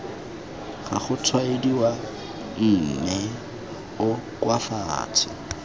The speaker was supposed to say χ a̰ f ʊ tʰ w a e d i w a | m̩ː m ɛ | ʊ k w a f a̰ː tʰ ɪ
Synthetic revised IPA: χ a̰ χ ʊ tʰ w a e d i w a | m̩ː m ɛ | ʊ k w a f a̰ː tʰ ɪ